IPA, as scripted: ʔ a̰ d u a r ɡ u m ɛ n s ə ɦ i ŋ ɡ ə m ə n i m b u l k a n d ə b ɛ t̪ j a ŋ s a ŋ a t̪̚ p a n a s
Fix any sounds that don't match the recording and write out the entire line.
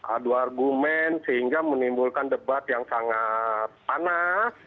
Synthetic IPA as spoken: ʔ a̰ d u a r ɡ u m ɛ n s ə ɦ i ŋ ɡ a m ə n i m b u l k a n d ə b a t̪ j a ŋ s a ŋ a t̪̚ p a n a s